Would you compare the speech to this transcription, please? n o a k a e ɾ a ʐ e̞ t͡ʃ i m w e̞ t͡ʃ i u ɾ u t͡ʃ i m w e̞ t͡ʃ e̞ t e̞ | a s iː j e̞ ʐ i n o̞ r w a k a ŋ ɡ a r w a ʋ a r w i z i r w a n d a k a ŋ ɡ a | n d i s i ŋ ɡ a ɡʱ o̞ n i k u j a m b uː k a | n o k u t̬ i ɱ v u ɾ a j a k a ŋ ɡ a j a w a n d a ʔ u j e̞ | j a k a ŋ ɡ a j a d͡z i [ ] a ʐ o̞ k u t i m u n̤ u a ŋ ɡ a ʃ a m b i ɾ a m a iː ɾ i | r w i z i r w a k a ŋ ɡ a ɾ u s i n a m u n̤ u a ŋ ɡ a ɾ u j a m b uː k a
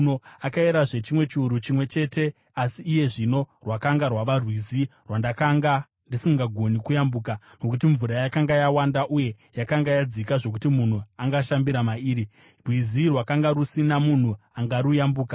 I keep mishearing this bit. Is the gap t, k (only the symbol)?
k